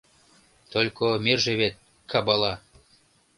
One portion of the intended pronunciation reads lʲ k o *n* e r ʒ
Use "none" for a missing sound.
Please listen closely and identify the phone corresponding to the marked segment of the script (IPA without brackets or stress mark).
m